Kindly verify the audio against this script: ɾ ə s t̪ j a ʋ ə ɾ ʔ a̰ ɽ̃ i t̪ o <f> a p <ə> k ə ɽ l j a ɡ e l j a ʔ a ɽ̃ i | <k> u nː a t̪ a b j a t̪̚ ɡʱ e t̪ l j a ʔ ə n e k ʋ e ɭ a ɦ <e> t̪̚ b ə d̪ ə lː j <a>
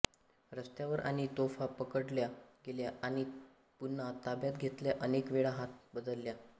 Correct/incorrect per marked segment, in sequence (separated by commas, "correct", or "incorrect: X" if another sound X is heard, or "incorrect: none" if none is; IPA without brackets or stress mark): correct, correct, incorrect: p, incorrect: a, correct